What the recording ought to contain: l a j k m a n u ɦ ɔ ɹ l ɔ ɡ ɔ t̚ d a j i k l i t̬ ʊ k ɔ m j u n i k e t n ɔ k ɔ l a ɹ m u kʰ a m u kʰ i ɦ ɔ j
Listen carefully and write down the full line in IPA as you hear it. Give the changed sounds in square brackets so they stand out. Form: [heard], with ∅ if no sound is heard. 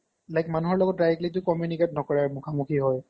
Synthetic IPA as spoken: l a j k m a n u ɦ ɔ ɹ l ɔ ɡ ɔ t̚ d a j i k l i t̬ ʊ k ɔ m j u n i k e t n ɔ k ɔ [ɹ] a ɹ m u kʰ a m u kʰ i ɦ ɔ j